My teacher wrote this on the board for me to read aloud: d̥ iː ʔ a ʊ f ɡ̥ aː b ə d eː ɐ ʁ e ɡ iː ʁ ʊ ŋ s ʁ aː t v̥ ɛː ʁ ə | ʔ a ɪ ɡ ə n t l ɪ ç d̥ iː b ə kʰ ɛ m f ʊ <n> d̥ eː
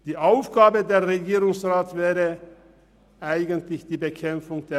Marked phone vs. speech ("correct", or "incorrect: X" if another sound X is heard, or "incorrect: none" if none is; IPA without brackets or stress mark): incorrect: ŋ